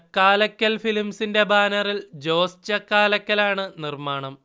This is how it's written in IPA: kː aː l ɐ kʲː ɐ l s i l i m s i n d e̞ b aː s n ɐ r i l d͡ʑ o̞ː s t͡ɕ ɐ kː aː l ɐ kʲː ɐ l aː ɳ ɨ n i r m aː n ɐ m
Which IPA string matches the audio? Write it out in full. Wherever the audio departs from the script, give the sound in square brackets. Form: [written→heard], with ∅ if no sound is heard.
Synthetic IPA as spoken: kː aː l ɐ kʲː ɐ l [s→f] i l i m s i n d e̞ b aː [s→∅] n ɐ r i l d͡ʑ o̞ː s t͡ɕ ɐ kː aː l ɐ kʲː ɐ l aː ɳ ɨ n i r m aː [n→ɳ] ɐ m